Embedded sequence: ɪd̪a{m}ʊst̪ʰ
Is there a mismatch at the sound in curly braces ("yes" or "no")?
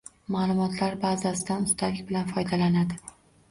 yes